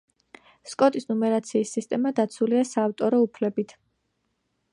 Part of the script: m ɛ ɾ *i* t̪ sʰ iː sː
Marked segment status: incorrect: a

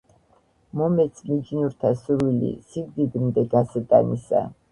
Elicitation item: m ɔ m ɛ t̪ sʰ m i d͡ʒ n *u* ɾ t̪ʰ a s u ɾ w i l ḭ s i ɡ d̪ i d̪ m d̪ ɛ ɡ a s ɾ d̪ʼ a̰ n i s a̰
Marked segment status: correct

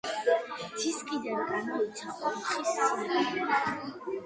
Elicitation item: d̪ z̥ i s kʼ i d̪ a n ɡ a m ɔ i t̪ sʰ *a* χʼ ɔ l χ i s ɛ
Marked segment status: correct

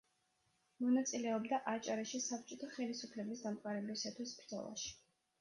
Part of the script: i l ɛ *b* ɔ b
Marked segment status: incorrect: none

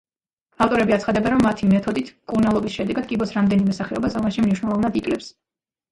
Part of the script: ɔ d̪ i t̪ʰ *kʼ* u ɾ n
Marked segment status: correct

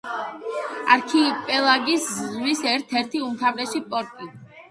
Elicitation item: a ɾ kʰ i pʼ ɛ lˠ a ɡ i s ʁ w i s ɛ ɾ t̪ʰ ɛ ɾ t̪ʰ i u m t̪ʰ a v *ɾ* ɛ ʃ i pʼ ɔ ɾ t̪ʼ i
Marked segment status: correct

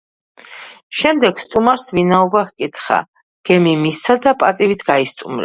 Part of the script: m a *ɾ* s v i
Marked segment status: correct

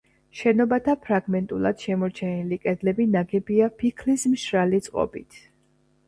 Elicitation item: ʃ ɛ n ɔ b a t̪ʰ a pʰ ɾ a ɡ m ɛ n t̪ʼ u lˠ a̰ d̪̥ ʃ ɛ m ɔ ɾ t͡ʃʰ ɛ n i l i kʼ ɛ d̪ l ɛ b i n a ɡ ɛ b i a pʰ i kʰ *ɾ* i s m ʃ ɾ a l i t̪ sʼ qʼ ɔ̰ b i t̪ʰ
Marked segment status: incorrect: l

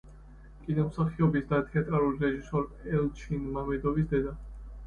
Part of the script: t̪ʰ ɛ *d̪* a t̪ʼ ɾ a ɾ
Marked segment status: incorrect: none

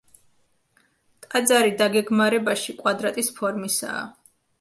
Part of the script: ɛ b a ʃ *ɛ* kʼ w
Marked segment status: incorrect: i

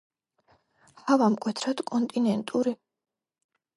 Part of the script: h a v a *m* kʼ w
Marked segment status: correct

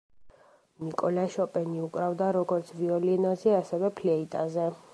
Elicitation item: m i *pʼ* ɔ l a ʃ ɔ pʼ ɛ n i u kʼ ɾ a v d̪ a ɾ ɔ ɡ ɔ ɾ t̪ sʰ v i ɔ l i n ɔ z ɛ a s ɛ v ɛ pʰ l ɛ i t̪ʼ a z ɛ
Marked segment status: incorrect: kʼ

